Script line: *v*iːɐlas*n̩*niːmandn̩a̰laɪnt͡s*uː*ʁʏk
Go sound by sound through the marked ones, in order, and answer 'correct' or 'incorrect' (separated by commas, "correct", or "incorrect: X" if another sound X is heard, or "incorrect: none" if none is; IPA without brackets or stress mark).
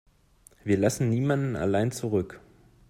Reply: correct, correct, incorrect: u